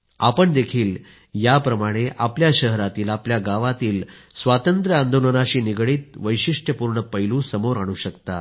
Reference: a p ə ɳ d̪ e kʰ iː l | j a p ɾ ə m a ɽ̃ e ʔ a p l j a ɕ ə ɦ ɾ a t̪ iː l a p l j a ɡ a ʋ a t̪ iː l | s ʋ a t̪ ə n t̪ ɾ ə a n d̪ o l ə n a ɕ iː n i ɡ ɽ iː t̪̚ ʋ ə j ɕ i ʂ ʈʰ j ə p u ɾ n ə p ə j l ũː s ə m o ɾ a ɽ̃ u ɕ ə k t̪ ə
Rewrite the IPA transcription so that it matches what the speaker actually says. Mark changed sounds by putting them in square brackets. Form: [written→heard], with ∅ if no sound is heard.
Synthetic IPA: a p ə ɳ d̪ e kʰ iː l | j a p ɾ ə m a ɽ̃ e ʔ a p l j a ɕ ə ɦ ɾ a t̪ iː l a p l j a ɡ a ʋ a t̪ iː l | s ʋ a t̪ ə n t̪ ɾ ə a n d̪ o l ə n a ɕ iː n i ɡ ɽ iː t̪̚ ʋ ə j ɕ i ʂ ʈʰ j ə p u ɾ [n→ɳ] ə p ə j l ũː s ə m o ɾ a ɽ̃ u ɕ ə k t̪ [ə→a]

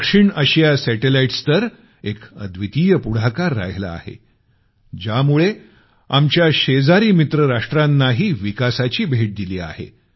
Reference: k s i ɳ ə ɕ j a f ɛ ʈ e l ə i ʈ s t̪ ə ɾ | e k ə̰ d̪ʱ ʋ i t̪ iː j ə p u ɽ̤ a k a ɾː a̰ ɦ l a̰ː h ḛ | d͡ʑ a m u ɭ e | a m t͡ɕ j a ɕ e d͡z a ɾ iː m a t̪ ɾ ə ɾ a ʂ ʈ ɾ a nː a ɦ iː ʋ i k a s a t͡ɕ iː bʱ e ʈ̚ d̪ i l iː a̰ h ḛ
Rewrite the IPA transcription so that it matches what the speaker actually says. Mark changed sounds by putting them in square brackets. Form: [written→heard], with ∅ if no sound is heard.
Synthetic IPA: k [s→ʂ] i ɳ ə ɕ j a [f→s] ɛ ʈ e l [ə→a] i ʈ s t̪ ə ɾ | e k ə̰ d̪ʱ ʋ i t̪ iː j ə p u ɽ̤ a k a ɾː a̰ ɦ l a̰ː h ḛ | d͡ʑ a m u ɭ e | a m t͡ɕ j a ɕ e d͡z a ɾ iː m [a→i] t̪ ɾ ə ɾ a ʂ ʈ ɾ a nː a ɦ iː ʋ i k a s a t͡ɕ iː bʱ e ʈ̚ d̪ i l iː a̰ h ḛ

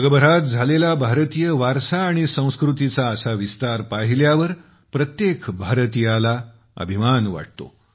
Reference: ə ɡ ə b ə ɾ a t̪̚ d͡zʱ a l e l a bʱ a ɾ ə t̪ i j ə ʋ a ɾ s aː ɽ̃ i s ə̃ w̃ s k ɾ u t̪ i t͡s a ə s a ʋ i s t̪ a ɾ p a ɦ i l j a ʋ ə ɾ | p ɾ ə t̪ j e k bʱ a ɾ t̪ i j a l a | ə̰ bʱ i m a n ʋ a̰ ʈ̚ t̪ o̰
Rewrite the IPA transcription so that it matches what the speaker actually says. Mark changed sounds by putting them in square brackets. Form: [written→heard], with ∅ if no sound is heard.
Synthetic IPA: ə ɡ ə b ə ɾ a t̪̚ d͡zʱ a l e l a bʱ a ɾ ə t̪ i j ə ʋ a ɾ s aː ɽ̃ i s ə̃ w̃ s k ɾ u t̪ i t͡s a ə s a ʋ i s t̪ a ɾ p a ɦ i l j a ʋ ə ɾ | p ɾ ə t̪ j e k bʱ a ɾ t̪ i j a l a | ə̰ bʱ i m a n ʋ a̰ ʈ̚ t̪ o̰

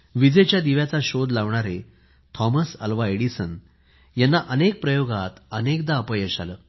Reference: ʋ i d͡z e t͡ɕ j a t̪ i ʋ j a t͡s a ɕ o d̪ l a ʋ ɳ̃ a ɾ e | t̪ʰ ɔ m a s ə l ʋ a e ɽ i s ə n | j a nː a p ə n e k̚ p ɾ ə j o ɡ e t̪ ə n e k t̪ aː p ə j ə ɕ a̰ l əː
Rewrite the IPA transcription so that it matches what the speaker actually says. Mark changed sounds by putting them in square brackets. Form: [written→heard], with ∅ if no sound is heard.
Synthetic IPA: ʋ i d͡z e t͡ɕ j a [t̪→d̪] i ʋ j a t͡s a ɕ o d̪ l a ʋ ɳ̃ a ɾ e | t̪ʰ ɔ m [a→ə] s ə l ʋ a e ɽ i s ə n | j a nː a [p→ʔ] ə n e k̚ p ɾ ə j o ɡ [e→a] t̪ ə n e k [t̪→d̪] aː p ə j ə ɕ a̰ l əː

